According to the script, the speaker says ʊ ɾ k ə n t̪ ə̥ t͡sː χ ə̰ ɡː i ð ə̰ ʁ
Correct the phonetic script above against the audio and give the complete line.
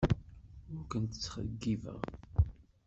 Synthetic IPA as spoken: ʊ ɾ k ə n t̪ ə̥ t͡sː χ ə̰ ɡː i v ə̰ ʁ